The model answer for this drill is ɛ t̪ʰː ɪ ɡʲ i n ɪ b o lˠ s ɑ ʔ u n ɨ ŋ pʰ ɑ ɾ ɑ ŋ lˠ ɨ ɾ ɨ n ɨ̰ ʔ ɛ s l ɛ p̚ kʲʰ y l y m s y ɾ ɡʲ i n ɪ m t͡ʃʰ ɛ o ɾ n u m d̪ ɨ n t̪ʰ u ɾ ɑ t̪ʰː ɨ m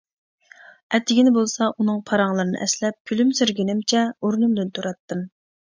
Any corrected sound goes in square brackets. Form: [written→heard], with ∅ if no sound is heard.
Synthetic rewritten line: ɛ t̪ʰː ɪ ɡʲ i n ɪ b o lˠ s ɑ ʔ u n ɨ ŋ pʰ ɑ ɾ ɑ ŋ lˠ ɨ ɾ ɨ n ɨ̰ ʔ ɛ s l ɛ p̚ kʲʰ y l y m s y ɾ ɡʲ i n ɪ m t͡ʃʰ ɛ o ɾ n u m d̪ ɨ n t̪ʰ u ɾ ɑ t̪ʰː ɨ m